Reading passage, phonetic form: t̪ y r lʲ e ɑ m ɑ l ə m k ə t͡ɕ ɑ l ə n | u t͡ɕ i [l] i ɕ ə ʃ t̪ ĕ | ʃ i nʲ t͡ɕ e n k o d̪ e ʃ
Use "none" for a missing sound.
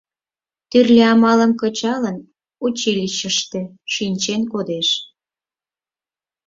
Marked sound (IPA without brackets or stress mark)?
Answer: l